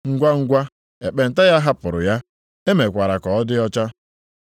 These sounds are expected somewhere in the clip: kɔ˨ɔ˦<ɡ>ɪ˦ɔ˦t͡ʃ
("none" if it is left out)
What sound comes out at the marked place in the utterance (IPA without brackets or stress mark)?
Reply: d